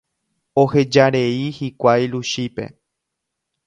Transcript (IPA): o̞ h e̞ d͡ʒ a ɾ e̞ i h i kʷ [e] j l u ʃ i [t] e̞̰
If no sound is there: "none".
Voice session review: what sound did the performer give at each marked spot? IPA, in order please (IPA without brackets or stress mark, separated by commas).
a, p